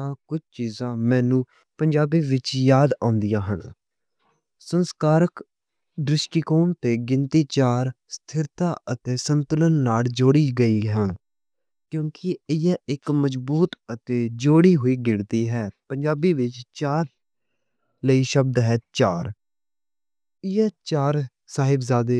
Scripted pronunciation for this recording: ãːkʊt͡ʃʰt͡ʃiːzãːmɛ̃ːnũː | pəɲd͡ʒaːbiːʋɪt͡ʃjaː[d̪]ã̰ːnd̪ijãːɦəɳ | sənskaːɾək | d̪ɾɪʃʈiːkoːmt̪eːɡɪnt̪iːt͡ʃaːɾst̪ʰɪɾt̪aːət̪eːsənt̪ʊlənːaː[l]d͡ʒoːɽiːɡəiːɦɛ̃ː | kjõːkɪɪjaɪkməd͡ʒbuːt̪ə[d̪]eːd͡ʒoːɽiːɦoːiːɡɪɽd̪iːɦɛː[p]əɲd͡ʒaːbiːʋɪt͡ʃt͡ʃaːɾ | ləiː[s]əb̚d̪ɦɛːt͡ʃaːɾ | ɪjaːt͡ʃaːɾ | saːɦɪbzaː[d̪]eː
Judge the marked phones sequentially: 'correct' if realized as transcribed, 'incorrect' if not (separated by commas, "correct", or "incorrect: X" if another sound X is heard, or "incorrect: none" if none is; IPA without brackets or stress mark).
correct, correct, incorrect: t̪, correct, incorrect: ʃ, correct